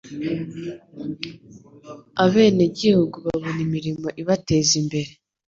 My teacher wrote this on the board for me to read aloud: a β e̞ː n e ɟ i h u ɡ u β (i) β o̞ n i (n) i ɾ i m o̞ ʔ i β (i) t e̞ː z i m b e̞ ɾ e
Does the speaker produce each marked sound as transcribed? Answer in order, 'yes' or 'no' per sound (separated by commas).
no, no, no